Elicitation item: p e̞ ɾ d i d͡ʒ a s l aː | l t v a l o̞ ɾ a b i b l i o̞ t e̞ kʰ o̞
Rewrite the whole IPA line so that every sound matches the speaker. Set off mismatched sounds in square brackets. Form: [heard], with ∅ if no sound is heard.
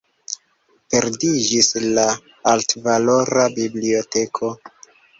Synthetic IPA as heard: p e̞ ɾ d i d͡ʒ [i] s l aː | l t v a l o̞ ɾ a b i b l i o̞ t e̞ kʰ o̞